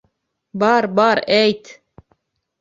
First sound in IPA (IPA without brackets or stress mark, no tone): b